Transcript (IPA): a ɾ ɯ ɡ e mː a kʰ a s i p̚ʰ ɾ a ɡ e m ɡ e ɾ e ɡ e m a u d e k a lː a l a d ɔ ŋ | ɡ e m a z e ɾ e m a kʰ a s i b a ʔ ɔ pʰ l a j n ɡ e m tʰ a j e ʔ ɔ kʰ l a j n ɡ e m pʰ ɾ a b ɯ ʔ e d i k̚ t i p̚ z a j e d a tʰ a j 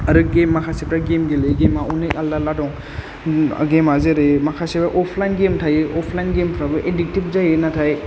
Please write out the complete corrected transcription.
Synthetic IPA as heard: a ɾ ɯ ɡ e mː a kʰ a s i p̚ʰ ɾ a ɡ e m ɡ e l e ɡ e m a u n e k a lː a l a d ɔ ŋ | ɡ e m a z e ɾ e m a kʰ a s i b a ʔ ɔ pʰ l a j n ɡ e m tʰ a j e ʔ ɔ pʰ l a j n ɡ e m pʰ ɾ a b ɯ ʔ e d i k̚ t i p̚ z a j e n a tʰ a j

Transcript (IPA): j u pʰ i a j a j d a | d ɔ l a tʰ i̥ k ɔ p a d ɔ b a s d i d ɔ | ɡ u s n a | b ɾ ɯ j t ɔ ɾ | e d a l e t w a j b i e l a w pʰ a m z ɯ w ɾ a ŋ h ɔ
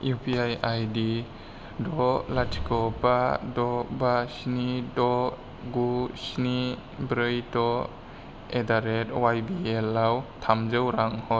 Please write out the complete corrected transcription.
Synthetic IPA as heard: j u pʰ i a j a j d i | d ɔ l a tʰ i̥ k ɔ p a d ɔ b a s n i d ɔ | ɡ u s n i | b ɾ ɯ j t ɔ | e d a ɾ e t w a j b i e l a w tʰ a m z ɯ w ɾ a ŋ h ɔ

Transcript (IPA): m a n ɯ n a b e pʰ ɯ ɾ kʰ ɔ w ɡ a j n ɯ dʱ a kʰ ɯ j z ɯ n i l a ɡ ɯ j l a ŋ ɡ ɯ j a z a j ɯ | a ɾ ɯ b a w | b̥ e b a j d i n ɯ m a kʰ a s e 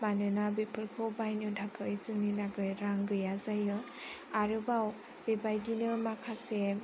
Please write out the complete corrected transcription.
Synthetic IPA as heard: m a n ɯ n a b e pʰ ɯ ɾ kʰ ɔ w b a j n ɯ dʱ a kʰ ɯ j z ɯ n i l a ɡ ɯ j ɾ a ŋ ɡ ɯ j a z a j ɯ | a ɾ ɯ b a w | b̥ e b a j d i n ɯ m a kʰ a s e

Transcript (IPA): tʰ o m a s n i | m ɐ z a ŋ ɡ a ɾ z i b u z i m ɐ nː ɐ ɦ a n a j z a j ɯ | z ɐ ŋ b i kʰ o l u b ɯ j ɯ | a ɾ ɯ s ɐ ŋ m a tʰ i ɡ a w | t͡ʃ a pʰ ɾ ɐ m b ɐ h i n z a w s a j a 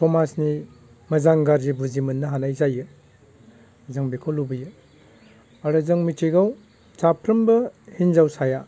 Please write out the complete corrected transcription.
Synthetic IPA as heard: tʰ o m a s n i | m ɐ z a ŋ ɡ a ɾ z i b u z i m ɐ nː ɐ ɦ a n a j z a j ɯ | z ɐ ŋ b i kʰ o l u b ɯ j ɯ | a ɾ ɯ z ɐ ŋ m i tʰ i ɡ a w | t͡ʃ a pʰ ɾ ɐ m b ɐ h i n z a w s a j a

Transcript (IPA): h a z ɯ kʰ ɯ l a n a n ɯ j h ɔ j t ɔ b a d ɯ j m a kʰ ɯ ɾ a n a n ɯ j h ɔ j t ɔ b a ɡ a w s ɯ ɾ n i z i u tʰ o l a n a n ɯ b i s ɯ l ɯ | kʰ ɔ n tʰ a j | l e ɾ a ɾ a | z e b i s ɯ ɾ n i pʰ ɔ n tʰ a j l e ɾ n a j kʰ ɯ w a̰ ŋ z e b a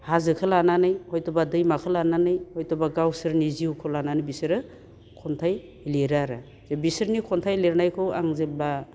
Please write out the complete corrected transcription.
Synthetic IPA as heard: h a z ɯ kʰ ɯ l a n a n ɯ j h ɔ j t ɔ b a d ɯ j m a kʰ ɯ l a n a n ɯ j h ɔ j t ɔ b a ɡ a w s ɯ ɾ n i z i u kʰ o l a n a n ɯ b i s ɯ ɾ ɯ | kʰ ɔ n tʰ a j | l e ɾ a ɾ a | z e b i s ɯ ɾ n i kʰ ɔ n tʰ a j l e ɾ n a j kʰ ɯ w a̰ ŋ z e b a

